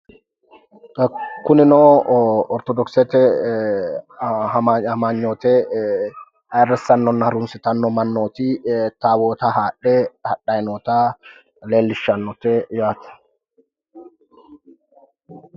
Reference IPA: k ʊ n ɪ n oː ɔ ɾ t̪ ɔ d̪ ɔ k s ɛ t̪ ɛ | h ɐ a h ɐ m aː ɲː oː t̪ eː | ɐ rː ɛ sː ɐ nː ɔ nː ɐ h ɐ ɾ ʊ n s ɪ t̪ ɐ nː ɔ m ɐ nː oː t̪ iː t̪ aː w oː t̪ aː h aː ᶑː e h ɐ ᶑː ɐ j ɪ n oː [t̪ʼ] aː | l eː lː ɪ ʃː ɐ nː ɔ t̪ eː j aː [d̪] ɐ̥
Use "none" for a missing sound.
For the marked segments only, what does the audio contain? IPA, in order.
t̪, t̪

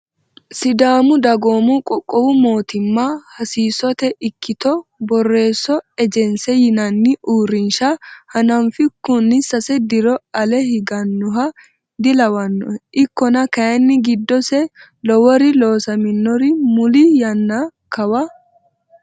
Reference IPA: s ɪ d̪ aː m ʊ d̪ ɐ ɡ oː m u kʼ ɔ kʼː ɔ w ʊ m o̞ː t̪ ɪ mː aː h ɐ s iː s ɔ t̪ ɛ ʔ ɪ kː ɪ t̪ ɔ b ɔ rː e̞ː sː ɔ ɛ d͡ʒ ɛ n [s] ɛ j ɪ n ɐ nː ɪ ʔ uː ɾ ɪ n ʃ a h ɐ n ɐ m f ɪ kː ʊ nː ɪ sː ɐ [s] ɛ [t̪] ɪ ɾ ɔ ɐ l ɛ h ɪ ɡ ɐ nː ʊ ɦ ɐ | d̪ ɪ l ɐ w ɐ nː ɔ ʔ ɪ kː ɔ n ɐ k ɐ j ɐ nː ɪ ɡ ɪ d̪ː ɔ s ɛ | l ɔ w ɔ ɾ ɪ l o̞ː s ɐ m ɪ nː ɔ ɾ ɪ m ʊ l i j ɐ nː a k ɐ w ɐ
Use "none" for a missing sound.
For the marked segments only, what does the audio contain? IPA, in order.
s, s, d̪

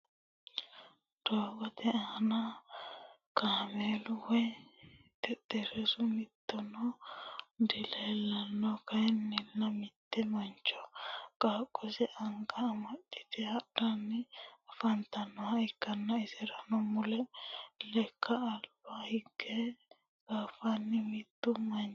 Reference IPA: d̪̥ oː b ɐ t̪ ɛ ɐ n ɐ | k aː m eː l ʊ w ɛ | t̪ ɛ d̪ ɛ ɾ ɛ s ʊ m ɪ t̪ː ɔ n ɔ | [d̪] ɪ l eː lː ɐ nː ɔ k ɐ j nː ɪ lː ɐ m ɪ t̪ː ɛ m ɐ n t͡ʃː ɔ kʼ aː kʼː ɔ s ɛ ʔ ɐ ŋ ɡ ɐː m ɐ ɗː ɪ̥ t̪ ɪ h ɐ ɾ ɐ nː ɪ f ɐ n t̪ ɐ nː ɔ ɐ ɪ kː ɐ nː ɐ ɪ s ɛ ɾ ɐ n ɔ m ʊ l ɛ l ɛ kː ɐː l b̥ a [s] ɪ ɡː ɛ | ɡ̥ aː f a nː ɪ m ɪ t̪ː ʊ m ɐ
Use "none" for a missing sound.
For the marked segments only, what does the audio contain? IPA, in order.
d̪, h

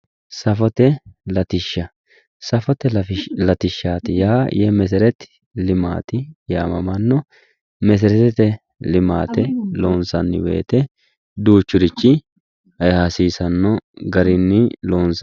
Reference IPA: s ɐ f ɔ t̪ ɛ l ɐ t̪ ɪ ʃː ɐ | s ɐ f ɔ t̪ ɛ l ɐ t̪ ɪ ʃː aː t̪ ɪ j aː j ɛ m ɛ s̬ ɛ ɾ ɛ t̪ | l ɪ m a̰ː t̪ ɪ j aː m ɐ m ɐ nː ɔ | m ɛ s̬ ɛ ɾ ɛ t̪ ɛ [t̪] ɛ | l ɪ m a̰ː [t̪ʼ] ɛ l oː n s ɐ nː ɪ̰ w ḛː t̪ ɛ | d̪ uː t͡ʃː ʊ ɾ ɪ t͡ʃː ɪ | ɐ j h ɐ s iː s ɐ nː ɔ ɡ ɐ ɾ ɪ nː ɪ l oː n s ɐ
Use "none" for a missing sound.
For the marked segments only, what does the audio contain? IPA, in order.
t̪, t̪

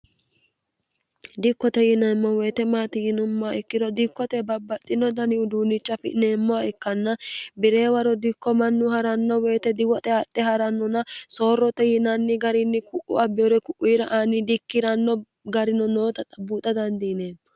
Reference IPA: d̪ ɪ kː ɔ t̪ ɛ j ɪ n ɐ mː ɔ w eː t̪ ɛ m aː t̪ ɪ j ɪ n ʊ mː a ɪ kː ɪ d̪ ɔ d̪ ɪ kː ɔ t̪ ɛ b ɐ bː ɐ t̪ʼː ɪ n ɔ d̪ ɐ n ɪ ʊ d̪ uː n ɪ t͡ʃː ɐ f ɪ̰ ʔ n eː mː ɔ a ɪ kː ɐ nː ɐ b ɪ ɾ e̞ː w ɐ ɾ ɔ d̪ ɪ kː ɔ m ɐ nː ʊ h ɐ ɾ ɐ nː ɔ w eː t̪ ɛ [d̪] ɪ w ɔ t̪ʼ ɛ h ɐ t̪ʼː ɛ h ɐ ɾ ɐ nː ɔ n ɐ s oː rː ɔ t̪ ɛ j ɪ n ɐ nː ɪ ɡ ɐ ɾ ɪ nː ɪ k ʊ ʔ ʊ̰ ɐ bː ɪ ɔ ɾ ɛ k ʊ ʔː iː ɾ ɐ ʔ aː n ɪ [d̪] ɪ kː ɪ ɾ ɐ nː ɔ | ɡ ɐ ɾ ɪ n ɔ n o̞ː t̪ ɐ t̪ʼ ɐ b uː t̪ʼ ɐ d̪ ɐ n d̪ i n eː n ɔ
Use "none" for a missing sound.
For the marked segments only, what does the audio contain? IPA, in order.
d̪, d̪

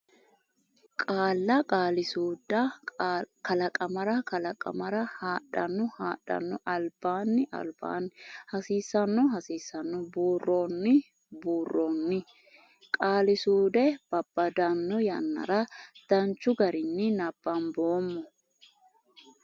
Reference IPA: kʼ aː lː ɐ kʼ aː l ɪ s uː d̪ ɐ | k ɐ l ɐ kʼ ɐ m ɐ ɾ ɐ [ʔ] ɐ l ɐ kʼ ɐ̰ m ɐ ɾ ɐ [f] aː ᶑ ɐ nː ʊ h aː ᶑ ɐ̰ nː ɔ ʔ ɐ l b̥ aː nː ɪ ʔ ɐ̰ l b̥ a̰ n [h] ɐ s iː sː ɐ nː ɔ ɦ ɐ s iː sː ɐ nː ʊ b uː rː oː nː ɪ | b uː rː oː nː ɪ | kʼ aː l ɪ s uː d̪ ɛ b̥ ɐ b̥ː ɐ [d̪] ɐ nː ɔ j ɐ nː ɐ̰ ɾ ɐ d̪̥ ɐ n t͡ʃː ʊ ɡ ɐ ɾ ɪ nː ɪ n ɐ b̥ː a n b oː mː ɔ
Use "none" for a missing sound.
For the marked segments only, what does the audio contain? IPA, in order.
k, h, h, d̪

